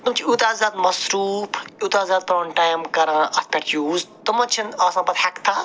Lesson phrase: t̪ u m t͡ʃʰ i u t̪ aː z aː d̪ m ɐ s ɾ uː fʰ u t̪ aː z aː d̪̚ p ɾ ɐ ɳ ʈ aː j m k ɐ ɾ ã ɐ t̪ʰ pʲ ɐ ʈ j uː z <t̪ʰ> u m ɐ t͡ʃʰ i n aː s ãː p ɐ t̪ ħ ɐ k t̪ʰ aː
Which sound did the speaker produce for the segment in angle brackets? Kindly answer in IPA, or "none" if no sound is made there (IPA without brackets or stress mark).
t̪